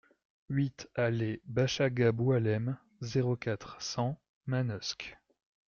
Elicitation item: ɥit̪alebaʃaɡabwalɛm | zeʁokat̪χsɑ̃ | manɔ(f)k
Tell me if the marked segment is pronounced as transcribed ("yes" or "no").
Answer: no